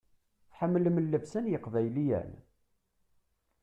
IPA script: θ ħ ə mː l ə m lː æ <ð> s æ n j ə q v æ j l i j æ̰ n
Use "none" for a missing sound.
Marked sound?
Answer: v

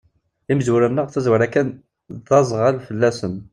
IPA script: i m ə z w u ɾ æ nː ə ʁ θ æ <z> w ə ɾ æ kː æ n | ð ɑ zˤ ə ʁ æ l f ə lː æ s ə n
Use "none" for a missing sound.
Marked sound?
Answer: z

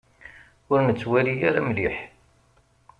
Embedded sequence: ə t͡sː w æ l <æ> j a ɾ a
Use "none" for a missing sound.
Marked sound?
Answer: i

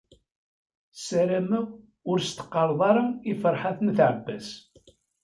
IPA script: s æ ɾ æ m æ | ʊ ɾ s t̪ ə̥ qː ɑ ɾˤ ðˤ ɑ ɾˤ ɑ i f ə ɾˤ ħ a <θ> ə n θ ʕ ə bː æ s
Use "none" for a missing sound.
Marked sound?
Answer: θ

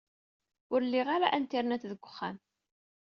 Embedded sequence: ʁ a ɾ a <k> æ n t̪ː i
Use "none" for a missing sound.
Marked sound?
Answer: ʔ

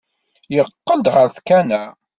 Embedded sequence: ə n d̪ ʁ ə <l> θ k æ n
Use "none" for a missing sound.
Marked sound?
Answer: ɾ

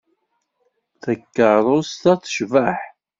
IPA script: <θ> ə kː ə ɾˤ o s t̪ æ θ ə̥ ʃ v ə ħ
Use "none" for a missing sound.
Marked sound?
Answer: θ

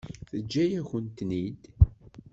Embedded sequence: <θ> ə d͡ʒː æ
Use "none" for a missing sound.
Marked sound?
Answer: θ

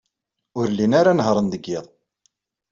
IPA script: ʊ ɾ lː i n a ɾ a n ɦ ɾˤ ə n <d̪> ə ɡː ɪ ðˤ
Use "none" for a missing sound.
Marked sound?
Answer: d̪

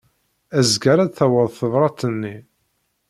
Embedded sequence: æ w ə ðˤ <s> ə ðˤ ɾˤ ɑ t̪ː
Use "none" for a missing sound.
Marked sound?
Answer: θ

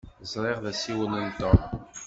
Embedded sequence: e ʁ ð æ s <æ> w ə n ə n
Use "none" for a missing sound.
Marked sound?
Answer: i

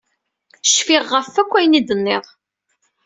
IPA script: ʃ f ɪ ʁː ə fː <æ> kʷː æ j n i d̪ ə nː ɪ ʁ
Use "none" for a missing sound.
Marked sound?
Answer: æ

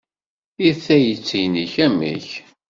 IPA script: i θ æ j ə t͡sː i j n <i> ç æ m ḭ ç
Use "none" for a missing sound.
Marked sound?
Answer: i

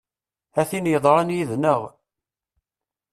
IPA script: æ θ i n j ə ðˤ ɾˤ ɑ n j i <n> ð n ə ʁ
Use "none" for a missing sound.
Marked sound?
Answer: none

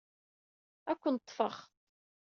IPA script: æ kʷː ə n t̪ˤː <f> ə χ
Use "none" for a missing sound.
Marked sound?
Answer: f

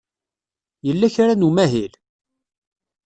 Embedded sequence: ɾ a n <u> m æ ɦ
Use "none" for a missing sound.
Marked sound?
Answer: u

